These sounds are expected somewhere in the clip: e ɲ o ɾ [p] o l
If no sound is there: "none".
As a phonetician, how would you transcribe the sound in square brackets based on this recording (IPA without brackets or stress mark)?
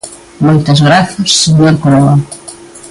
k